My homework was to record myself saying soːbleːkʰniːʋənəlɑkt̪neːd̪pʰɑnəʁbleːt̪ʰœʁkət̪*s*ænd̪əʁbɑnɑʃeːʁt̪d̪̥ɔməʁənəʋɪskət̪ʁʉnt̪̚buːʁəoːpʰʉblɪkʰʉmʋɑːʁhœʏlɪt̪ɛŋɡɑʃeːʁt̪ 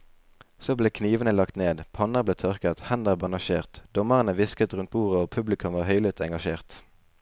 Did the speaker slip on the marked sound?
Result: yes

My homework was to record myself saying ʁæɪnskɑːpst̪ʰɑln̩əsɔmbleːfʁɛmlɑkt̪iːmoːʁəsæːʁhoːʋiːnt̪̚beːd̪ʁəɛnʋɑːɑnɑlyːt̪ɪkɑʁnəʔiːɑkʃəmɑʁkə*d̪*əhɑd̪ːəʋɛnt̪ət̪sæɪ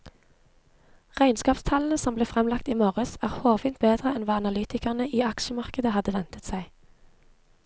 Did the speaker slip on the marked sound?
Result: no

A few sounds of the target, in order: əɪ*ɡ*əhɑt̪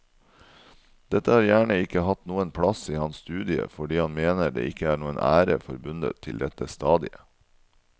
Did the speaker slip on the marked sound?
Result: yes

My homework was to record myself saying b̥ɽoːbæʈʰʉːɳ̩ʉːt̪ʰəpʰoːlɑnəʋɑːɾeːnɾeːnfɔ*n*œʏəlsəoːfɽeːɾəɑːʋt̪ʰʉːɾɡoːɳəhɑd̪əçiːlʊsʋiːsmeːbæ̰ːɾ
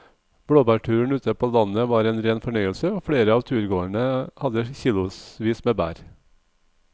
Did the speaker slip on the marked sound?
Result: yes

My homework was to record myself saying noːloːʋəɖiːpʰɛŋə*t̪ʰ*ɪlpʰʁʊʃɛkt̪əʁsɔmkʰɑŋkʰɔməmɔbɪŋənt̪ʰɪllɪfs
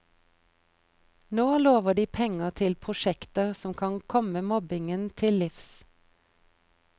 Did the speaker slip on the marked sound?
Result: no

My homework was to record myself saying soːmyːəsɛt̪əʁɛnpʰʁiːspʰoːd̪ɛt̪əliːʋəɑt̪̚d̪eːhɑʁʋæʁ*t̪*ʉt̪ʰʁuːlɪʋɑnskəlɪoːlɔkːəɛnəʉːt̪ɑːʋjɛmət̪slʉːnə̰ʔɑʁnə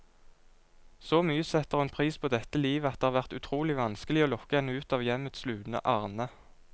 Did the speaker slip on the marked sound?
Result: no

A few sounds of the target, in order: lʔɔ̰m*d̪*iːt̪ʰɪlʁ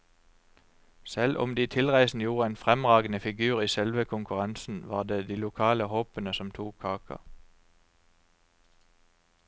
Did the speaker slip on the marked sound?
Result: no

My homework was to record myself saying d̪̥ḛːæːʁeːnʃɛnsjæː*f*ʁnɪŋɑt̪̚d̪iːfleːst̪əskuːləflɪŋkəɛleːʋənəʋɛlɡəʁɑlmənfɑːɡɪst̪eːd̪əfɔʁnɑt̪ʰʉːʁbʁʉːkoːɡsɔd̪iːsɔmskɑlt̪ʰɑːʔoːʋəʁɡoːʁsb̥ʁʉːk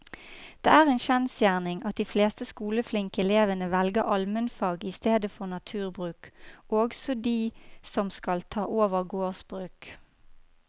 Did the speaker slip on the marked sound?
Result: yes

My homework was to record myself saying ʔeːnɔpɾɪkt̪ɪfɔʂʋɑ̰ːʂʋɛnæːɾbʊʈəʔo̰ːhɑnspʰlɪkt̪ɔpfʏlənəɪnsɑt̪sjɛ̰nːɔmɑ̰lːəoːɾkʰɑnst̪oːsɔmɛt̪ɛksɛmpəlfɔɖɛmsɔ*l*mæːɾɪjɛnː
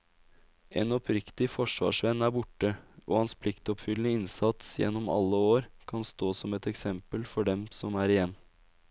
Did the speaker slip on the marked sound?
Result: yes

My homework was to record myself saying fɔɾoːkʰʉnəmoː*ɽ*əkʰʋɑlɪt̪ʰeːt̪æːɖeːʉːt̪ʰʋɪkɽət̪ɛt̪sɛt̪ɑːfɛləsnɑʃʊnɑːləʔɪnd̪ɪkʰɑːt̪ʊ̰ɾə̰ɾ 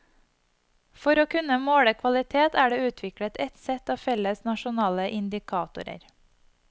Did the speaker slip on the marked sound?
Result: no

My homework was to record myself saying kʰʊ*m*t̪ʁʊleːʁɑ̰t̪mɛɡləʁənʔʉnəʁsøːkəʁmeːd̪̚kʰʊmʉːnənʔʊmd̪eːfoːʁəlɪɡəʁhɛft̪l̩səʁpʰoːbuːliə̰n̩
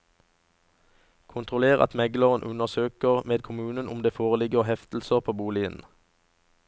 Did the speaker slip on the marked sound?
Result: yes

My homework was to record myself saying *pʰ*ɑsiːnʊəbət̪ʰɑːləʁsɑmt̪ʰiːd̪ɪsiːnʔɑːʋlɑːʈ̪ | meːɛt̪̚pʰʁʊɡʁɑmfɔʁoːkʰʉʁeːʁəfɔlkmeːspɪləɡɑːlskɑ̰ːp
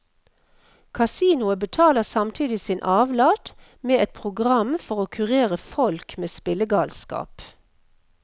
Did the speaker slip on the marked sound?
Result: yes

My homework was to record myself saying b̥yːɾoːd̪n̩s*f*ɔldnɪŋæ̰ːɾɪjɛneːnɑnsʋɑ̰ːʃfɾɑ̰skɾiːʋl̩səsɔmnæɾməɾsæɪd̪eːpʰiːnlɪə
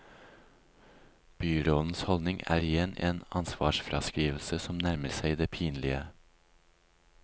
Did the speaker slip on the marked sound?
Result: yes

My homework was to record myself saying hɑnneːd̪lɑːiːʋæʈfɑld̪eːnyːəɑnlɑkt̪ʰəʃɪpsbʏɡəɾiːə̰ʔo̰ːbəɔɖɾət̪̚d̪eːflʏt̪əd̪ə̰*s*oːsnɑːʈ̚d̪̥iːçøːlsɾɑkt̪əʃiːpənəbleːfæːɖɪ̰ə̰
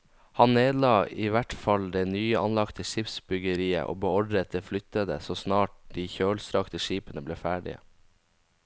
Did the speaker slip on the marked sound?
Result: no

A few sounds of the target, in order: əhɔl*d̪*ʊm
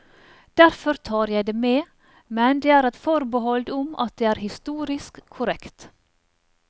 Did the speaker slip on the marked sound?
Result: no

